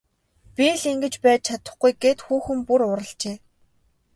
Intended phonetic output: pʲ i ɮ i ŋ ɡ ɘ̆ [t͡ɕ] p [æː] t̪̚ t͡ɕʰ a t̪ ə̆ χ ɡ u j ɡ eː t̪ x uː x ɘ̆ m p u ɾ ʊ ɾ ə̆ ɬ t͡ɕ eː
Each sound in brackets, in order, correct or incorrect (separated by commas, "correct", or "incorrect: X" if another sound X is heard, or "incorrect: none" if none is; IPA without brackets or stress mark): correct, correct